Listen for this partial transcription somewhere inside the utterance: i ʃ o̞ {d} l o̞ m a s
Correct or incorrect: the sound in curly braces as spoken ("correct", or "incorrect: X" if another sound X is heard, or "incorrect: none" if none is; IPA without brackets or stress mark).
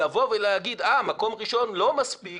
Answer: incorrect: n